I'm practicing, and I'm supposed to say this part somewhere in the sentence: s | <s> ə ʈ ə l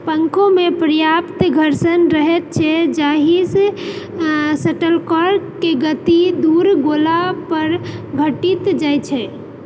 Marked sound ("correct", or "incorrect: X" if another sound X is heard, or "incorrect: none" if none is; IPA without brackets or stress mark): correct